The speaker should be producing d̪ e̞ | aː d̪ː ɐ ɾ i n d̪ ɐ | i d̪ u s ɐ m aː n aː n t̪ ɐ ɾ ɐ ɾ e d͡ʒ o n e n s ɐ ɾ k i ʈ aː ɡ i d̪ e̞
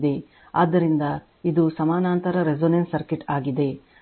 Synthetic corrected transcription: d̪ e̞ | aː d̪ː ɐ ɾ i n d̪ ɐ | i d̪ u s ɐ m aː n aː n t̪ ɐ ɾ ɐ ɾ e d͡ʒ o n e n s ɐ ɾ k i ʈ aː ɡ i d̪ e̞